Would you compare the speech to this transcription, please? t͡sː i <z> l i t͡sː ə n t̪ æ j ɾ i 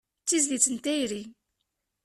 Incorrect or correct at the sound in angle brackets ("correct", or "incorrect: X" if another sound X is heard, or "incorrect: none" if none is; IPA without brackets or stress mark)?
correct